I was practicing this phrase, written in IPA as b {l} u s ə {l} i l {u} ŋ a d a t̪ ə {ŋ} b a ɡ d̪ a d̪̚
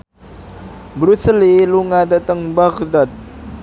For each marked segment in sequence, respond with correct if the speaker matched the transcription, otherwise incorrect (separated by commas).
incorrect, correct, correct, correct